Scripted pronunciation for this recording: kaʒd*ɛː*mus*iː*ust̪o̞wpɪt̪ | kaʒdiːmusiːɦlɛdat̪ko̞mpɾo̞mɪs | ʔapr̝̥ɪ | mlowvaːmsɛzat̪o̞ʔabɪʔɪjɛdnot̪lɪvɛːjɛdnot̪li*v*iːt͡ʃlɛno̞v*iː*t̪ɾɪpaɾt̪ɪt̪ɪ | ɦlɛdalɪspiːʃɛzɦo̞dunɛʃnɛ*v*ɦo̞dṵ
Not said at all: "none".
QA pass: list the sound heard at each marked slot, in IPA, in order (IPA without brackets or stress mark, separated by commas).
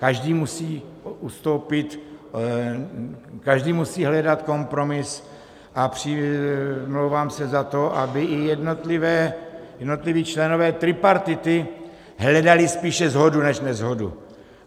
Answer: iː, iː, v, ɛː, z